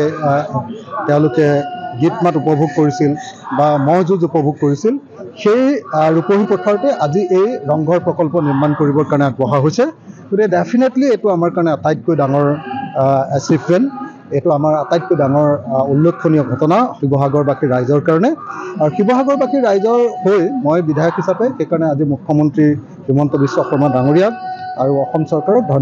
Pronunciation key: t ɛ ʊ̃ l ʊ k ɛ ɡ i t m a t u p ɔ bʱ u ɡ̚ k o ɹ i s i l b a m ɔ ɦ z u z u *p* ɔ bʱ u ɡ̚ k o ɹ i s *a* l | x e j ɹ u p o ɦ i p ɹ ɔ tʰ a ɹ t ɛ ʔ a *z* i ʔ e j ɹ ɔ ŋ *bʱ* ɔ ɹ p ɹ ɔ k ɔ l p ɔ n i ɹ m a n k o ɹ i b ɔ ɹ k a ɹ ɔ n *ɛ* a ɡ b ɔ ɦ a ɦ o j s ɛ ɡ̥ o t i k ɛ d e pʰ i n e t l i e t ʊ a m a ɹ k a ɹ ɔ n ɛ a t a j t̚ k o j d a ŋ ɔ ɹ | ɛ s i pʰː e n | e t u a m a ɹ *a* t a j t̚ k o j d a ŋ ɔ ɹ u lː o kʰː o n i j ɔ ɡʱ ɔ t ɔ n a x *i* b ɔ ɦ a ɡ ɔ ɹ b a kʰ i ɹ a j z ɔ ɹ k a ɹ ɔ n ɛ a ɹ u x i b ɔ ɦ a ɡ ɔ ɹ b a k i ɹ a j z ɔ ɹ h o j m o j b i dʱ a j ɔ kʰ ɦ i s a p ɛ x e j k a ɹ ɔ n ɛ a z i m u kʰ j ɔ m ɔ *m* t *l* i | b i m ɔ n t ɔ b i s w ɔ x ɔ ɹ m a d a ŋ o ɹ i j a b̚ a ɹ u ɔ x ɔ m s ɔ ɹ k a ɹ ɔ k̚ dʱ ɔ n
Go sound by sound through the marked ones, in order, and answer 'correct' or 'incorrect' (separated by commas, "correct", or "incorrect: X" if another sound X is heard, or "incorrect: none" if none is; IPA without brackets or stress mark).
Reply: correct, incorrect: i, correct, incorrect: ɡʱ, correct, correct, correct, incorrect: n, incorrect: ɹ